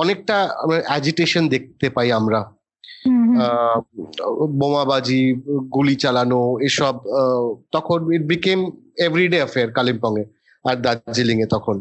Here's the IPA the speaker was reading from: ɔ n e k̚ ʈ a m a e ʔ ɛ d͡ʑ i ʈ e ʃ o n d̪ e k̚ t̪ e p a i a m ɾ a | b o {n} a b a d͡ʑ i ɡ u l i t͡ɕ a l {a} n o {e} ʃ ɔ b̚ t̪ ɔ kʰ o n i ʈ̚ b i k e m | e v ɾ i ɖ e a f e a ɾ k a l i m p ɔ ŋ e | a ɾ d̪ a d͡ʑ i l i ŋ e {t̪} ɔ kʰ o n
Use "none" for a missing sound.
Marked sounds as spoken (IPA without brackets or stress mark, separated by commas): m, a, e, t̪